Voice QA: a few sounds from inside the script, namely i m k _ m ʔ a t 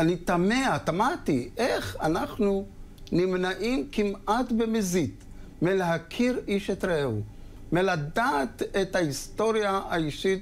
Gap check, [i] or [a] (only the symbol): i